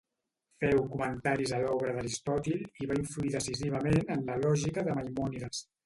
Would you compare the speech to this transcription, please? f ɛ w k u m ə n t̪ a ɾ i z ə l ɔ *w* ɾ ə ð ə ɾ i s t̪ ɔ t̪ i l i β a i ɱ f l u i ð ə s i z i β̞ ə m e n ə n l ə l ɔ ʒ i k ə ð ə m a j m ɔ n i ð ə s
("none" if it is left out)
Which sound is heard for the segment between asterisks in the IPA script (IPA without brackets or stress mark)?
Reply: β